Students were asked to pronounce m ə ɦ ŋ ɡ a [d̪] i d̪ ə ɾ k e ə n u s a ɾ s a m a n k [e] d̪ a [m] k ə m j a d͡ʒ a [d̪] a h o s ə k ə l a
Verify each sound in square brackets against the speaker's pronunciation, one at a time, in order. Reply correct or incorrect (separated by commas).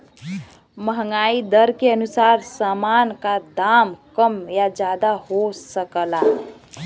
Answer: incorrect, incorrect, correct, correct